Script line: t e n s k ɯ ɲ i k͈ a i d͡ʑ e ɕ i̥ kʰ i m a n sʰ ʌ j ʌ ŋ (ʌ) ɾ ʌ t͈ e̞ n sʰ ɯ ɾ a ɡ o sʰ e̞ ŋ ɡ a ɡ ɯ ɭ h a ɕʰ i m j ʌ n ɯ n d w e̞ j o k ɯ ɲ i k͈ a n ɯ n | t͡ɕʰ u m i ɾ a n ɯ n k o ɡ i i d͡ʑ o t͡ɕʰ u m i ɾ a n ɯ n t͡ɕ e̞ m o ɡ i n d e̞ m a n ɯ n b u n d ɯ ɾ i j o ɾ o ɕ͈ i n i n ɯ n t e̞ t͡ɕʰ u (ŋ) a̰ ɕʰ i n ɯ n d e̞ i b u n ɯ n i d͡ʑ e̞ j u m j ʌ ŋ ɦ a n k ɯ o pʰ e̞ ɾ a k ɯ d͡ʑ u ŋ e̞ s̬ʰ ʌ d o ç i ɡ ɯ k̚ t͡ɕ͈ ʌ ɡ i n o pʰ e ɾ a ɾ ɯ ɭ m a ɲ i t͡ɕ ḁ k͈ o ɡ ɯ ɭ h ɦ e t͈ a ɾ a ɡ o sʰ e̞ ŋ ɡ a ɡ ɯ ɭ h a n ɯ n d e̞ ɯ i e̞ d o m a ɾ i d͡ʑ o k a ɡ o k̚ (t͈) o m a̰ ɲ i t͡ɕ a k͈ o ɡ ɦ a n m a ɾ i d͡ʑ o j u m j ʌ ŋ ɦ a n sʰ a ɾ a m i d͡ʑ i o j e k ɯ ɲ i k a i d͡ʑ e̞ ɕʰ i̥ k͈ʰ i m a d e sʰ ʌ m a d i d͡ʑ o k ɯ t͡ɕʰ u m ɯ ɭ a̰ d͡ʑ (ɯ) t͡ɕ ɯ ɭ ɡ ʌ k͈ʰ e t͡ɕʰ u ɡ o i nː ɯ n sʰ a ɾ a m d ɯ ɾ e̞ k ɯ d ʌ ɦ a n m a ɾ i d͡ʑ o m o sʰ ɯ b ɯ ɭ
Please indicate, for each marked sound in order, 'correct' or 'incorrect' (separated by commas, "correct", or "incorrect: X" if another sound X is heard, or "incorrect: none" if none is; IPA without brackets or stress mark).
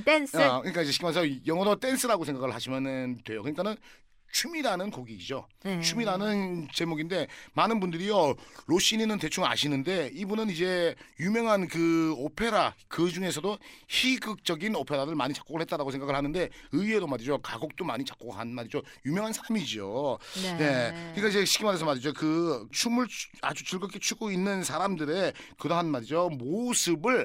correct, correct, correct, incorrect: u